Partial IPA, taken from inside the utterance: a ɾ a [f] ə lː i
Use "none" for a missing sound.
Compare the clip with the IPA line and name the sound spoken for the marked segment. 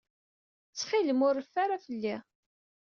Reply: f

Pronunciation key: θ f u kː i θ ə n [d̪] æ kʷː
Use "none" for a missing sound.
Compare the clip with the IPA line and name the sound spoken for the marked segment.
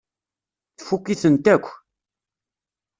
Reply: t̪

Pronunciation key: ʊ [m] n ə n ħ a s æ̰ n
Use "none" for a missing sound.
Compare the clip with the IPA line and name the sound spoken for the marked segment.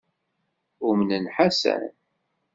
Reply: m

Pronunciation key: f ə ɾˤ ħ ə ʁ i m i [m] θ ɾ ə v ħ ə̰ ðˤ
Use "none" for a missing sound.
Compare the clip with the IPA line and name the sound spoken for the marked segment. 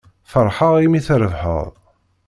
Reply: none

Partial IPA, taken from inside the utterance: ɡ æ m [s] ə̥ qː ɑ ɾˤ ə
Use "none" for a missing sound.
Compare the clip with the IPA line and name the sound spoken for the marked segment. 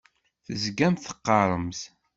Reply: θ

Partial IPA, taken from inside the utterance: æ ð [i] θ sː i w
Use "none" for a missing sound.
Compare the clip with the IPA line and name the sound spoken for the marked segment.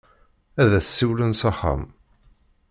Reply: æ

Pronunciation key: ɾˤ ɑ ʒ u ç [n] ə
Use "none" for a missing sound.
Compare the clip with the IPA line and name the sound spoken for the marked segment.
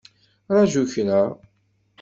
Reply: n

